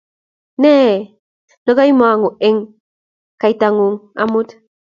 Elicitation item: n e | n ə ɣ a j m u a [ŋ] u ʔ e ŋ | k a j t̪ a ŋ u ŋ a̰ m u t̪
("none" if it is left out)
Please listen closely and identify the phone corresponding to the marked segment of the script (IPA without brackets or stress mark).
ŋ